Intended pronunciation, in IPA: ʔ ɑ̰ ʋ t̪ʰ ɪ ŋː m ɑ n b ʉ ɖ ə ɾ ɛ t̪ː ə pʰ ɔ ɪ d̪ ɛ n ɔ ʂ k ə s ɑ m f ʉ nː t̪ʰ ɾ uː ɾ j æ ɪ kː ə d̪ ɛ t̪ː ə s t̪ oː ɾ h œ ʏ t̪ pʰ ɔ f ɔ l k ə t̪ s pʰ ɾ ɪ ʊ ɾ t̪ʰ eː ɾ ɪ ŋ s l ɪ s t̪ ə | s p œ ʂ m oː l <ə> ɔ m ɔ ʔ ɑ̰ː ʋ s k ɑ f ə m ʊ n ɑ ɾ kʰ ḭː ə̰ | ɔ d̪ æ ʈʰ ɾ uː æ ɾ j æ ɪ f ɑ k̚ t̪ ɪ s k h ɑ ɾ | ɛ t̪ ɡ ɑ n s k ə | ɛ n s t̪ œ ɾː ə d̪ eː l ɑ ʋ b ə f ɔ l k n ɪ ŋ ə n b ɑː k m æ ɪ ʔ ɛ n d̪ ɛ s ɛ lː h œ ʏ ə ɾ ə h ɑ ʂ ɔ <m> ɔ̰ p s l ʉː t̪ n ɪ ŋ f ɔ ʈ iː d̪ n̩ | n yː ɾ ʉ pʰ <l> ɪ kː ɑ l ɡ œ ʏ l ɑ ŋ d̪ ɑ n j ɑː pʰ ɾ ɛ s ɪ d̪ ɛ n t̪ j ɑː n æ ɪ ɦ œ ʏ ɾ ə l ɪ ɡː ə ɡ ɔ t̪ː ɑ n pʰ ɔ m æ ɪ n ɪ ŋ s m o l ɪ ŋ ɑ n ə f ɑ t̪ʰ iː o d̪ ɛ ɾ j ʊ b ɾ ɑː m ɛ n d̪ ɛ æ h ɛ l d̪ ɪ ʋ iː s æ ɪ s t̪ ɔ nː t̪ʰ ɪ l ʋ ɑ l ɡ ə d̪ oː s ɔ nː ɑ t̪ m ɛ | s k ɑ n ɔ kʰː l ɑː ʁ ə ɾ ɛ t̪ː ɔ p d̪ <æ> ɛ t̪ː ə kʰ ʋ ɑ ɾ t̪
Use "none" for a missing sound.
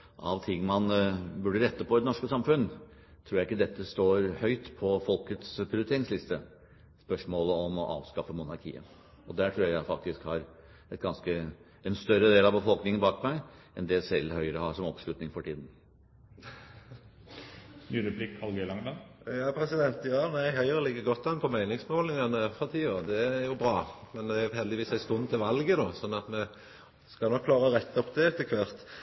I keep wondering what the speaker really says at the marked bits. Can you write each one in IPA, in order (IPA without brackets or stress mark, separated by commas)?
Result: ə, m, l, ɛ